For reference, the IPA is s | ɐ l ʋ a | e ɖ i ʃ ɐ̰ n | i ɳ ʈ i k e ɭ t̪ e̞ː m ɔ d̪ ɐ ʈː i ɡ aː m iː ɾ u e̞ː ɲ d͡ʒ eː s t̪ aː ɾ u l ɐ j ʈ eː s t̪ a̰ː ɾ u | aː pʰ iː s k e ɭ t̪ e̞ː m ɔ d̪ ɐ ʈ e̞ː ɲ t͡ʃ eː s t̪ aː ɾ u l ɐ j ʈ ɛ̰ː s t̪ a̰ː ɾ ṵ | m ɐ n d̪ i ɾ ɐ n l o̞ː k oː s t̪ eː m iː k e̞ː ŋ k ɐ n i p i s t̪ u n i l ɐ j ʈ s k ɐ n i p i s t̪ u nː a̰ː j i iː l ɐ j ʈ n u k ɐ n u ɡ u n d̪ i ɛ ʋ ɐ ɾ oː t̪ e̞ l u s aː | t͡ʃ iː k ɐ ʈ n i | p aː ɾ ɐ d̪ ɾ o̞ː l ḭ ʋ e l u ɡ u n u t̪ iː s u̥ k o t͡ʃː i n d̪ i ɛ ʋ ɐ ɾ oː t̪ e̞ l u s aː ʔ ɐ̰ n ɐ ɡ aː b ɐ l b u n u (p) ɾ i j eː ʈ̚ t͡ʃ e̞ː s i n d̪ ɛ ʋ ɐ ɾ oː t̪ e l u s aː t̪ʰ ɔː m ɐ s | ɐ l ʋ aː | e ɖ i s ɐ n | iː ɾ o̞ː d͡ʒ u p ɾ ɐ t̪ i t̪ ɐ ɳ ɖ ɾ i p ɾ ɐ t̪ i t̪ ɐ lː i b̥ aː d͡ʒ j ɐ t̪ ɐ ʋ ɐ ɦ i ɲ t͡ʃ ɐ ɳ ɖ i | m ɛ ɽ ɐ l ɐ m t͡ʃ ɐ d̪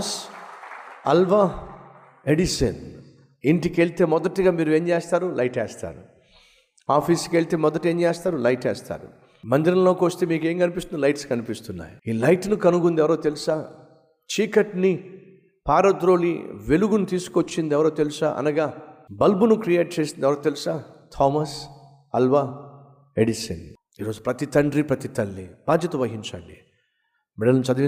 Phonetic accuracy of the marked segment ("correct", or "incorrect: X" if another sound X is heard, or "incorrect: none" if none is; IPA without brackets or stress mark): incorrect: k